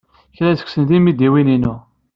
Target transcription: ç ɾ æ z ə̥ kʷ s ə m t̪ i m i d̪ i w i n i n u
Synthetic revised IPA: ç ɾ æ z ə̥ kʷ s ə n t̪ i m i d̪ i w i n i n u